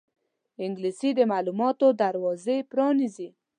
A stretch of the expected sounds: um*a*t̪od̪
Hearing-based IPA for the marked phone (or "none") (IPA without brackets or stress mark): ɑ